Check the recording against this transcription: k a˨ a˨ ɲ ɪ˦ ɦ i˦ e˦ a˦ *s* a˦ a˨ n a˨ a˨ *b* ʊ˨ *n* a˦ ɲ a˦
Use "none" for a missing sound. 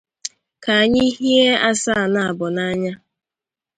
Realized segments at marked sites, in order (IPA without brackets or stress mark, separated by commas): s, b, n